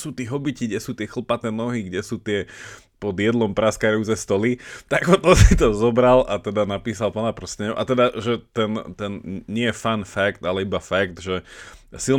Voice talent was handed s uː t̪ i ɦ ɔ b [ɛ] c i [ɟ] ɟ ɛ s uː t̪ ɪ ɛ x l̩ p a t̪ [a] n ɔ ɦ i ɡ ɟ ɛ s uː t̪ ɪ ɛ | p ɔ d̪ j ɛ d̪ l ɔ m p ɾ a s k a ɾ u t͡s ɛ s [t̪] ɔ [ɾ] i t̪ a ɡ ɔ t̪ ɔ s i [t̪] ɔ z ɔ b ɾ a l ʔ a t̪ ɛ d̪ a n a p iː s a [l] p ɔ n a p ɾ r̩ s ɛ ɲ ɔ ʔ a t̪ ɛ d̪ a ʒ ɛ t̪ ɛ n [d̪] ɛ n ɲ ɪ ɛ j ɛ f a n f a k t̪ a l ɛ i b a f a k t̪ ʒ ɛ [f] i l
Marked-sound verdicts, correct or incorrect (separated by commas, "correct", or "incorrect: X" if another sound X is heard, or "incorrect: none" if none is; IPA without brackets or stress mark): incorrect: i, incorrect: ɡ, incorrect: ɛ, correct, incorrect: l, correct, correct, incorrect: t̪, incorrect: s